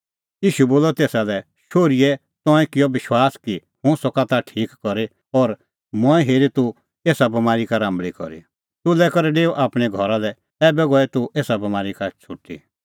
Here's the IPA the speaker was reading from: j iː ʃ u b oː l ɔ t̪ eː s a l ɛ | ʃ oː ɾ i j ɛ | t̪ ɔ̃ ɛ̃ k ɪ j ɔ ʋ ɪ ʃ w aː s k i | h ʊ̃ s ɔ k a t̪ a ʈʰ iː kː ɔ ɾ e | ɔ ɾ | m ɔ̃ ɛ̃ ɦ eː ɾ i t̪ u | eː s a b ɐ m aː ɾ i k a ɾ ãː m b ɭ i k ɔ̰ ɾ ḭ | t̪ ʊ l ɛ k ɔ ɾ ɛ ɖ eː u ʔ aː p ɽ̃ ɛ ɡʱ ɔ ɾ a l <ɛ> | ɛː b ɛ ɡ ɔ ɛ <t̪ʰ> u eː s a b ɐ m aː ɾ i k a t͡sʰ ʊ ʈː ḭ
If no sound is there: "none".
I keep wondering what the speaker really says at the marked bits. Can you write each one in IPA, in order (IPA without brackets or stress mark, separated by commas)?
ɛ, t̪